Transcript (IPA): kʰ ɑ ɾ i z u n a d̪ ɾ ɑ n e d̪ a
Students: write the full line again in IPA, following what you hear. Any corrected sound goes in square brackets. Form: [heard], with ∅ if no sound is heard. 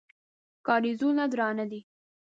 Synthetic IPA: [k] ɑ ɾ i z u n a d̪ ɾ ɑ n [a] d̪ [i]